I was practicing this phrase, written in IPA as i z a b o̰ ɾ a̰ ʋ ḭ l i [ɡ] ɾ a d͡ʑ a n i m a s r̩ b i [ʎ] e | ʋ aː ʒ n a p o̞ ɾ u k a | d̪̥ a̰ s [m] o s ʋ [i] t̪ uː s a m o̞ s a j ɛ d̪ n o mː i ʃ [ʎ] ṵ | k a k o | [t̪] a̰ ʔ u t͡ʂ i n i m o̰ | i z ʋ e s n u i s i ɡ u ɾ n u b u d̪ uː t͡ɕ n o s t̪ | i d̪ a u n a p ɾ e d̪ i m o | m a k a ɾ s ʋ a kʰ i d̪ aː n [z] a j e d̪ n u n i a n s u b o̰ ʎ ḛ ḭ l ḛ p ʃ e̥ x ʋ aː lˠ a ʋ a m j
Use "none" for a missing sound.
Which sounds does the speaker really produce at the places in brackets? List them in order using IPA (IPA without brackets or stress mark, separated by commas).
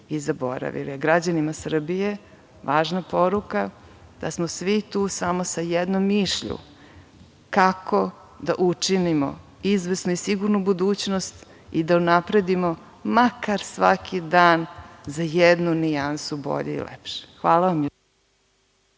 ɡ, j, m, i, ʎ, d̪, z